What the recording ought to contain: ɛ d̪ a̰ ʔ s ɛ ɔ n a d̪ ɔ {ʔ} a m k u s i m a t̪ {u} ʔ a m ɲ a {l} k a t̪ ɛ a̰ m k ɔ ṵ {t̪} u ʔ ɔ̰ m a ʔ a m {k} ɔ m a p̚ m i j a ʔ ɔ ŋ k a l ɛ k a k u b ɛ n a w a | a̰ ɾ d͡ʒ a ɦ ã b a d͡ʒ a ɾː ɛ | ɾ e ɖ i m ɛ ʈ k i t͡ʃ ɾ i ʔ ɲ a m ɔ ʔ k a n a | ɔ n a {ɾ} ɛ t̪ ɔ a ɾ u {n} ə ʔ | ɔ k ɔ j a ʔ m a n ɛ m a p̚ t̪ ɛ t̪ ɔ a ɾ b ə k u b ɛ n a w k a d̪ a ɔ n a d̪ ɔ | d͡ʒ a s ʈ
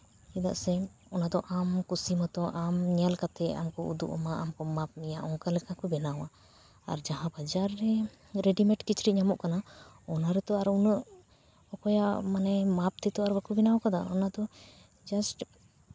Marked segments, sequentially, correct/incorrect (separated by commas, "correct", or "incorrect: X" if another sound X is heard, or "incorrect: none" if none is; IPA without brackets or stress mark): correct, incorrect: ɔ, correct, incorrect: d̪, correct, correct, correct